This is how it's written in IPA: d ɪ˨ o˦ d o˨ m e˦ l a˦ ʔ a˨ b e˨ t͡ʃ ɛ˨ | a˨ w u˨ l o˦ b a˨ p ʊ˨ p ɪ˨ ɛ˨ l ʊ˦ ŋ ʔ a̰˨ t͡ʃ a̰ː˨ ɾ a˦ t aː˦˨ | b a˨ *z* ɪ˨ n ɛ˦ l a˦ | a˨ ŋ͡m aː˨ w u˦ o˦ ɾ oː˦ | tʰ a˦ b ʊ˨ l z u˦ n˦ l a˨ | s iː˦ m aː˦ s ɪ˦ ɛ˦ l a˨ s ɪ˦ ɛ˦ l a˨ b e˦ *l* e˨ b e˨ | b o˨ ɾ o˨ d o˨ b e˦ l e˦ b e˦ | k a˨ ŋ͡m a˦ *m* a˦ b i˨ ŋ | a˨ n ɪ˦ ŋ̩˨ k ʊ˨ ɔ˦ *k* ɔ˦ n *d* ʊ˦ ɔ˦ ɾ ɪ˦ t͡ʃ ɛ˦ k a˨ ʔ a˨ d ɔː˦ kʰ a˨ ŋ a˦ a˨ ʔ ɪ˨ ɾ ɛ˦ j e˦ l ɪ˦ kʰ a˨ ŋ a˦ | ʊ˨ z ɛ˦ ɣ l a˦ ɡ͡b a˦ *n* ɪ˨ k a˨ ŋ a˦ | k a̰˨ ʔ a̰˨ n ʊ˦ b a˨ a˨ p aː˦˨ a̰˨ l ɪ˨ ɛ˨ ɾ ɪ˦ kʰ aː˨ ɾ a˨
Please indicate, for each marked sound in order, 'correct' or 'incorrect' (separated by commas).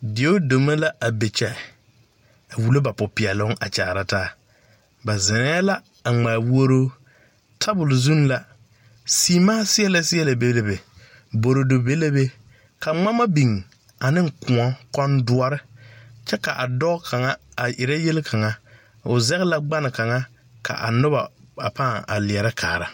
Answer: correct, correct, correct, correct, correct, correct